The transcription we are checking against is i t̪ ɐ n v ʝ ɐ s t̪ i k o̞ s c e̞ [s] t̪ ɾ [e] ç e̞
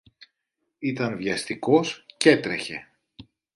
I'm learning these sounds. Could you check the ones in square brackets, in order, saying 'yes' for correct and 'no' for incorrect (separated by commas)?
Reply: no, yes